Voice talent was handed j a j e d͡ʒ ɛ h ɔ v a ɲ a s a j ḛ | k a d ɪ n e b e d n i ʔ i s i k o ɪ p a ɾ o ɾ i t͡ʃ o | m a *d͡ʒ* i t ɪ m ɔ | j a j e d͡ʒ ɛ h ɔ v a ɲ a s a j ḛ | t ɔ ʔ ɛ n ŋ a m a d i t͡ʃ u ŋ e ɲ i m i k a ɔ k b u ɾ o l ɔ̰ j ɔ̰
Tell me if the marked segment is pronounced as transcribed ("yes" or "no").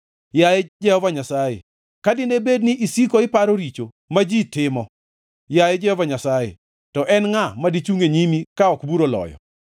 yes